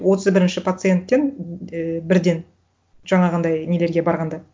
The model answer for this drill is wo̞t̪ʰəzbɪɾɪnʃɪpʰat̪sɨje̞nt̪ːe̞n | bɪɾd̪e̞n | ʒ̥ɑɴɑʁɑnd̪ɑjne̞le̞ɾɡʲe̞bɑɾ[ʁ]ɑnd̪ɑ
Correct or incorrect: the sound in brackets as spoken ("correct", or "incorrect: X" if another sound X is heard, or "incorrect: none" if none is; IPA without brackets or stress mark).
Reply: correct